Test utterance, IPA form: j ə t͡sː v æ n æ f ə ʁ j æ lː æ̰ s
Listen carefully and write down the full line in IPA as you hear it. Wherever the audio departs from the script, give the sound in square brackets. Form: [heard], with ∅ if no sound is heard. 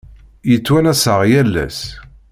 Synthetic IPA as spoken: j ə t͡sː [w] æ n æ [s] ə ʁ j æ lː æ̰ s